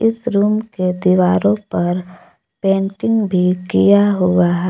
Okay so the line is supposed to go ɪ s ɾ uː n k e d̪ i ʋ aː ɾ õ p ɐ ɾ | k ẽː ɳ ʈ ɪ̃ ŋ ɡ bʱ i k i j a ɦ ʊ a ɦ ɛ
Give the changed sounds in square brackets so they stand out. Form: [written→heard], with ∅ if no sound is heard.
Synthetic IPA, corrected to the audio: ɪ s ɾ uː [n→m] k e d̪ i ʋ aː ɾ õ p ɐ ɾ | [k→p] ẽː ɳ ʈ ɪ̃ ŋ ɡ bʱ i k i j a ɦ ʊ a ɦ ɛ